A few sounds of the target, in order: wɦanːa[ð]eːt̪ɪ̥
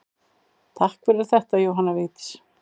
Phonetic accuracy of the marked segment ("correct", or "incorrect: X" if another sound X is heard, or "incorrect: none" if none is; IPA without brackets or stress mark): incorrect: v